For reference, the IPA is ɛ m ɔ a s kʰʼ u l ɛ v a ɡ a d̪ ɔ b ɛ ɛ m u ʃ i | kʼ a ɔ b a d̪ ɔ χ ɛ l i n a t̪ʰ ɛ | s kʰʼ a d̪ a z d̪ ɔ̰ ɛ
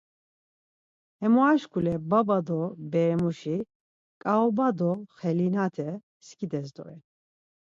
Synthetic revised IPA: ɛ m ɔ a ʃ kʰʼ u l ɛ b a b a d̪ ɔ b ɛ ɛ m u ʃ i | kʼ a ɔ b a d̪ ɔ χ ɛ l i n a t̪ʰ ɛ | s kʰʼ i d̪ ɛ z d̪ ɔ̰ ɛ